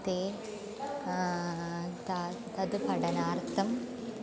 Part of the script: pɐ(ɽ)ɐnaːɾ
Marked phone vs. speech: correct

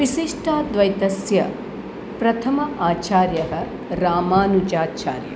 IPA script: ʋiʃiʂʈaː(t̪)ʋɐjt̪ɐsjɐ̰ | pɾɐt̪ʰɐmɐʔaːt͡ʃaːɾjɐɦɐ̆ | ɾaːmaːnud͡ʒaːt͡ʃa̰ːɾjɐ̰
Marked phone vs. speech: incorrect: d̪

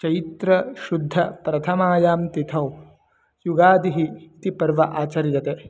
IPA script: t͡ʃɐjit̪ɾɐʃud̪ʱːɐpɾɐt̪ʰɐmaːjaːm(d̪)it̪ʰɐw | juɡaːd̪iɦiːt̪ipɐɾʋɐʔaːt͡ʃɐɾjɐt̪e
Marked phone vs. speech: incorrect: t̪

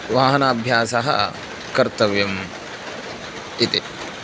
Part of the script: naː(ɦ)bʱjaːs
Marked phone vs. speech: incorrect: none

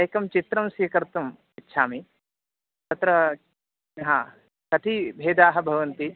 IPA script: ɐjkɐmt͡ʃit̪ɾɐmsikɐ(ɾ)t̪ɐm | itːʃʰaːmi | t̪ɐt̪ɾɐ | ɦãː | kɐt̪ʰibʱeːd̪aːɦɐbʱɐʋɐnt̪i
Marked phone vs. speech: correct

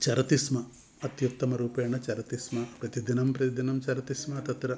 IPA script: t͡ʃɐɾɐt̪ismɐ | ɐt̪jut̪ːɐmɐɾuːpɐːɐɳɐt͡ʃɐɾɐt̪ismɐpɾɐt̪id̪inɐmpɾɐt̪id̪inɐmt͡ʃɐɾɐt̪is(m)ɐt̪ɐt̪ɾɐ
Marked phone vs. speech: correct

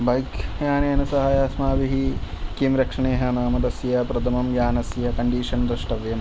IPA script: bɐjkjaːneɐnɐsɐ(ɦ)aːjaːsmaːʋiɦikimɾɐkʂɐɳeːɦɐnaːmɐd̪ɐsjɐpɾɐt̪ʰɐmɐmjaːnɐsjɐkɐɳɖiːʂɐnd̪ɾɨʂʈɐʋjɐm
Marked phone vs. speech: correct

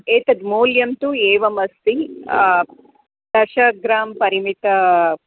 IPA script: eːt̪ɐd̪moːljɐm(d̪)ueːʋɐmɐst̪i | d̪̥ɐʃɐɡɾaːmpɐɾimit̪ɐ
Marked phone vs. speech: incorrect: t̪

